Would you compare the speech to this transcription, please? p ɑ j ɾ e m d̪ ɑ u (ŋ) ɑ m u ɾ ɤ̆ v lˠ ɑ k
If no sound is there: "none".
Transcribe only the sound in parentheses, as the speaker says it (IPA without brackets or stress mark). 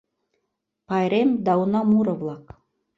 n